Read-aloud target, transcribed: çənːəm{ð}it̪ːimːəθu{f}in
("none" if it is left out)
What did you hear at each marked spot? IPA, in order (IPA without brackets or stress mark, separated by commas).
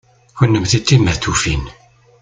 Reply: θ, f